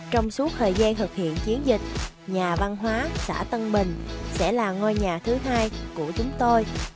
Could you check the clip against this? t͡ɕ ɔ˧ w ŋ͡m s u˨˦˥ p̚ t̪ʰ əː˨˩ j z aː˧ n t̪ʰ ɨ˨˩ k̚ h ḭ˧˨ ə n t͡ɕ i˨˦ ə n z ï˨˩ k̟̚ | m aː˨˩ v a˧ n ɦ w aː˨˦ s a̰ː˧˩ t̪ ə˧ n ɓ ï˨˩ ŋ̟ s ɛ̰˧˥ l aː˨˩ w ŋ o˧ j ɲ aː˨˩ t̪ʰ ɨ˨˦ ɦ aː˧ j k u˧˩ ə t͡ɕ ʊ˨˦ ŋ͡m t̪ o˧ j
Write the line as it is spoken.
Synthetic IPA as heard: t͡ɕ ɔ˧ w ŋ͡m s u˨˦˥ k̚ t̪ʰ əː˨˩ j z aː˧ n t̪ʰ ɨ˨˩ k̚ h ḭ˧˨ ə n t͡ɕ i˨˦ ə n z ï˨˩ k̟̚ | ɲ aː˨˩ v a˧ n ɦ w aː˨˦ s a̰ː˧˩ t̪ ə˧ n ɓ ï˨˩ ŋ̟ s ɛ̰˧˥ l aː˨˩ ŋ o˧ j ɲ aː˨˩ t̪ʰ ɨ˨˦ ɦ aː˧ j k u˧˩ ə t͡ɕ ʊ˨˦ ŋ͡m t̪ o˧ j